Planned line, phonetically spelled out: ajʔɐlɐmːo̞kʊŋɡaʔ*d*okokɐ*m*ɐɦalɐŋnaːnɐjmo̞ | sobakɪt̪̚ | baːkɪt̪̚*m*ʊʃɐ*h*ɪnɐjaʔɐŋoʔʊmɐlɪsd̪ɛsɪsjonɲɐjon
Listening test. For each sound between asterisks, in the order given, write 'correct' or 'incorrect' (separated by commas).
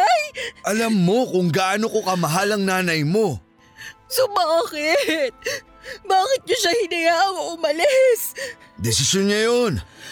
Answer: incorrect, correct, incorrect, correct